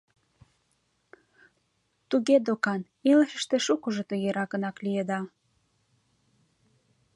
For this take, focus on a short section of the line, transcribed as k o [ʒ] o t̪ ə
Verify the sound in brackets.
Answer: correct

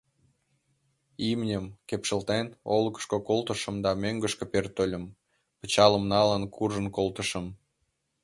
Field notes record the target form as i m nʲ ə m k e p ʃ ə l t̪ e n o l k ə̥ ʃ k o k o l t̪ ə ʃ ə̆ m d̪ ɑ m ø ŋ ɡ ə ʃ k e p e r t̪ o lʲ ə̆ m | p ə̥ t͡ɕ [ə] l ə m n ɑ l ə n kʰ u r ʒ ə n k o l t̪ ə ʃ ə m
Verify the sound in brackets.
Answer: incorrect: ɑ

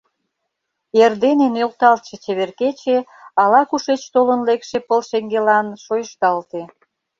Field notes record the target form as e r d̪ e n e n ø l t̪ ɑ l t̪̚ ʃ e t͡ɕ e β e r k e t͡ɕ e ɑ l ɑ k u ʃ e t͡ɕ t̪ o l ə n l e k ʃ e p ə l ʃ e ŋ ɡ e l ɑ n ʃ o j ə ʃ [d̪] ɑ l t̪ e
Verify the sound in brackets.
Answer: incorrect: t̪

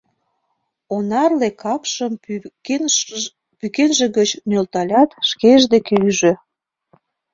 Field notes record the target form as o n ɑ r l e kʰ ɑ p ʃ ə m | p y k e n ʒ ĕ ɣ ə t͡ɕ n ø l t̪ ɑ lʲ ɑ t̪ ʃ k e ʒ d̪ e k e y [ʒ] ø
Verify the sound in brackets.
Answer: correct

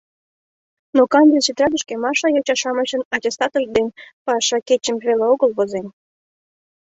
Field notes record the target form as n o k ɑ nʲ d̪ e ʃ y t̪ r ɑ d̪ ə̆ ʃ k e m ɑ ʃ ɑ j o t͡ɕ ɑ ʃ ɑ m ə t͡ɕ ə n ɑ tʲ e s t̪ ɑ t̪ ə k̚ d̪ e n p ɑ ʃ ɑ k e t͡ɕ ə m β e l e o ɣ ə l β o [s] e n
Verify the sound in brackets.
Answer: incorrect: z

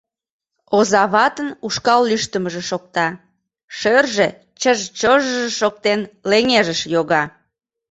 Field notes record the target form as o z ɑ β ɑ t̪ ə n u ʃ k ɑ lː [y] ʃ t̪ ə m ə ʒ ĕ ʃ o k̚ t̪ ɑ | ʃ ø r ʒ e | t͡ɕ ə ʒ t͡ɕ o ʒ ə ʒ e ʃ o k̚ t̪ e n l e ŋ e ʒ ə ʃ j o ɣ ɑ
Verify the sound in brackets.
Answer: correct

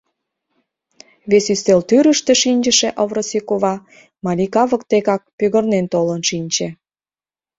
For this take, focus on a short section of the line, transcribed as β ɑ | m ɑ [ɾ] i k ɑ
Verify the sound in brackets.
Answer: incorrect: l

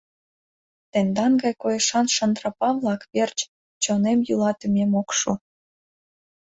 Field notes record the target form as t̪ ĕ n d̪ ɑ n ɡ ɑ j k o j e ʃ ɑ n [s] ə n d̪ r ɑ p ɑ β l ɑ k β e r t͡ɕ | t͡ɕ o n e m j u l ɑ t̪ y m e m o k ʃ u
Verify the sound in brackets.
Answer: incorrect: ʃ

